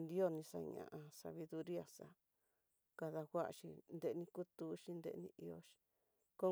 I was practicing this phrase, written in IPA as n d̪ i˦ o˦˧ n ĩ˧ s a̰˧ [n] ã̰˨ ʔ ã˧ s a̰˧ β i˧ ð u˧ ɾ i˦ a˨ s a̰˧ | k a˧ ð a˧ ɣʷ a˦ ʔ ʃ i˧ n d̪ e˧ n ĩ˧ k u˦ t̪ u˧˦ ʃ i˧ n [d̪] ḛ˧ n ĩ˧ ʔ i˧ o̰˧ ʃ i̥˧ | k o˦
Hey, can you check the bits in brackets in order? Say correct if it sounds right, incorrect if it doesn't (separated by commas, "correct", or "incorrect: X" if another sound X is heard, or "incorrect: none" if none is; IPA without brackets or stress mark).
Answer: incorrect: ɲ, correct